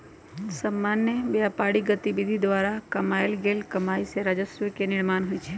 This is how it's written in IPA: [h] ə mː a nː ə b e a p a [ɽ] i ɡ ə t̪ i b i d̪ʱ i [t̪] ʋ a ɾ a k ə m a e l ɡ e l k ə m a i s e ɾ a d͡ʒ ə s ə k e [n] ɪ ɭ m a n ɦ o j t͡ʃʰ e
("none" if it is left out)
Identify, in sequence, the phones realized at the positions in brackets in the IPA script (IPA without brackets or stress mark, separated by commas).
s, ɽ, d̪, n